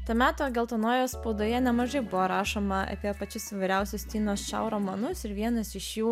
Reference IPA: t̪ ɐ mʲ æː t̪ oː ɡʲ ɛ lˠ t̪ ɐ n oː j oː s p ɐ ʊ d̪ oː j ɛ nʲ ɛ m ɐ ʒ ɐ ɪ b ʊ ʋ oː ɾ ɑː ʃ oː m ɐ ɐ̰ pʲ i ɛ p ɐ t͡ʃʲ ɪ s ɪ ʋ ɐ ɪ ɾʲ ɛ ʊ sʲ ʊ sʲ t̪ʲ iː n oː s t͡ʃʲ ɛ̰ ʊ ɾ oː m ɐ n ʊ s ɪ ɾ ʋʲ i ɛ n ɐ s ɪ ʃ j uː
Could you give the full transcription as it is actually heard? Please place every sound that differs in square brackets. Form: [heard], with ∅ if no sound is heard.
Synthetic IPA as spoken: t̪ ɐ mʲ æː t̪ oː ɡʲ ɛ lˠ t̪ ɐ n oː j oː s p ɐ ʊ d̪ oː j ɛ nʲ ɛ m ɐ ʒ ɐ ɪ b ʊ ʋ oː ɾ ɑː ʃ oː m ɐ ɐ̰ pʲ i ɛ p ɐ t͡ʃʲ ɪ s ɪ ʋ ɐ ɪ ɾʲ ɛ ʊ sʲ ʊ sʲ t̪ʲ iː n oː s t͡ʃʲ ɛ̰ ʊ ɾ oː m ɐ n ʊ s ɪ ɾ ʋʲ i ɛ n ɐ s ɪ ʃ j uː